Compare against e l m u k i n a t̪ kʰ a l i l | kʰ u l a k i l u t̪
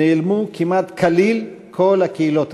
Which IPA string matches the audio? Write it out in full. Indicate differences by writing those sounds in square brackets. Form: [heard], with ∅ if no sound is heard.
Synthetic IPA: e l m u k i [m] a t̪ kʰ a l i l | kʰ [o] l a k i l [o] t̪